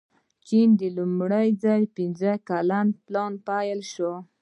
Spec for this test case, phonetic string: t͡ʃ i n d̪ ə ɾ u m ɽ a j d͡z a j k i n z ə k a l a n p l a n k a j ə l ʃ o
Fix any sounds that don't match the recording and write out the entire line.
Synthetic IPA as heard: t͡ʃ i n d̪ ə l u m ɽ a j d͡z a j p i n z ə k a l a n p l ɑ n p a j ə l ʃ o